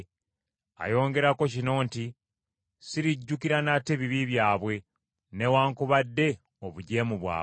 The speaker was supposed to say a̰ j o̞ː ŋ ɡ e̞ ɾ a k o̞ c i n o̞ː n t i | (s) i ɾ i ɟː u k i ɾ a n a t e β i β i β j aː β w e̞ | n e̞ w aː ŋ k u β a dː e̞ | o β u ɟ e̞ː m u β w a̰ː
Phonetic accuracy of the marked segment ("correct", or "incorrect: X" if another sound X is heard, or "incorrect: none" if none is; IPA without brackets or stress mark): correct